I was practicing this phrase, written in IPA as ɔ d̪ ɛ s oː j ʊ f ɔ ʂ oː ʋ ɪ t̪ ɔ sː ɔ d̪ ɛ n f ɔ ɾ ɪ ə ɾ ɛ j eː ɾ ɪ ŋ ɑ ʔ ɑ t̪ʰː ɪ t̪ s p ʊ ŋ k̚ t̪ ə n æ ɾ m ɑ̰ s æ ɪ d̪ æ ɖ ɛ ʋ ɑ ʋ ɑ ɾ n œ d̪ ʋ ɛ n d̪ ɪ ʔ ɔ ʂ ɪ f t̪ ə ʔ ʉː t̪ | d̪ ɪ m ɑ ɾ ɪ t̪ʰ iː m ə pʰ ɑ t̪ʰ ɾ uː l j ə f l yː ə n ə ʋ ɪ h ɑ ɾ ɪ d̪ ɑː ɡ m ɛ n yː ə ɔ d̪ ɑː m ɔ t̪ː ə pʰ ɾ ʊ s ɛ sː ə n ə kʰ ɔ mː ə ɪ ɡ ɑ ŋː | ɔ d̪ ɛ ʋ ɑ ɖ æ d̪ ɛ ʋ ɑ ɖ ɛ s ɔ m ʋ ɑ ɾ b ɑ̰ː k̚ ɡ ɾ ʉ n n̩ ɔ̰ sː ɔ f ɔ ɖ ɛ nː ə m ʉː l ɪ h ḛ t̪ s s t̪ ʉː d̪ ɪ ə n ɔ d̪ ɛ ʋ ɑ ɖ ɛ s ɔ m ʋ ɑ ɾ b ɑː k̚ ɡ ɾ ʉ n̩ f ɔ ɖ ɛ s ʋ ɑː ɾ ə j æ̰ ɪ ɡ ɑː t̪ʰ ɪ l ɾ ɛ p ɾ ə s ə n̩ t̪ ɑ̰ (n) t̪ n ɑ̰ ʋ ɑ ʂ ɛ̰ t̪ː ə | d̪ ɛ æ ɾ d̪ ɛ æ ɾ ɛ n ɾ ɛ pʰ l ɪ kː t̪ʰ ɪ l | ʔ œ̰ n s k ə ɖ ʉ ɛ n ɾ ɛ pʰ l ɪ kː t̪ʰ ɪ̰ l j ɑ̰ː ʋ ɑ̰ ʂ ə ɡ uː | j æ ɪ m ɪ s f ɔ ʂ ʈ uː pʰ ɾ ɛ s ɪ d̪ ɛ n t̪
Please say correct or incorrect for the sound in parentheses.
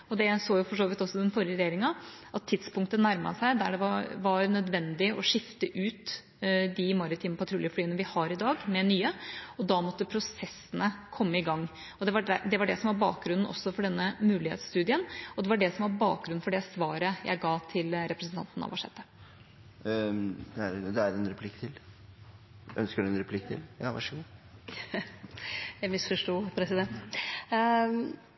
correct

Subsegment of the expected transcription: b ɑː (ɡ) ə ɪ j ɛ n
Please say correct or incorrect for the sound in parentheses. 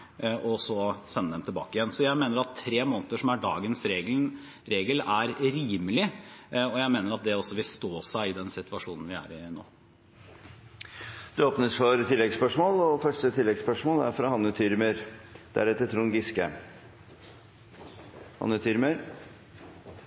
incorrect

